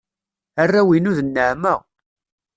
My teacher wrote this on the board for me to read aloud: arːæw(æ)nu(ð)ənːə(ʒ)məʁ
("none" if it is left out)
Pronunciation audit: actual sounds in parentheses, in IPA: i, ð, ʕ

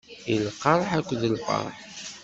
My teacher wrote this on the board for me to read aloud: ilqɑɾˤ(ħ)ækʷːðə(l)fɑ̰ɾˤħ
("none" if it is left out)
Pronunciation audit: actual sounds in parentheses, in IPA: ħ, l

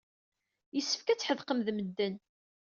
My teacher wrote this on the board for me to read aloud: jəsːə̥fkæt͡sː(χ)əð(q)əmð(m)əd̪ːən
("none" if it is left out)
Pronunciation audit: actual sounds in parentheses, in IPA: ħ, q, m

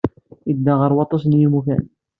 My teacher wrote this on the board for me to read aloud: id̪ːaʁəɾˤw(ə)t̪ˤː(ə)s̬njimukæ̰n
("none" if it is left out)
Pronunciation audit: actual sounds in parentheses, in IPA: ɑ, ɑ

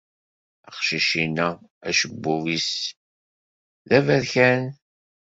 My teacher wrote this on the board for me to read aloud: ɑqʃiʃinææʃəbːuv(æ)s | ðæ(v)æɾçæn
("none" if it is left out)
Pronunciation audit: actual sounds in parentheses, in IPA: i, v

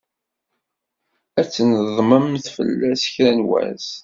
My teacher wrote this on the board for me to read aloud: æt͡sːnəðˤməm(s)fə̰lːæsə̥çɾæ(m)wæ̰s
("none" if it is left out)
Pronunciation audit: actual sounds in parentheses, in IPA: θ, n

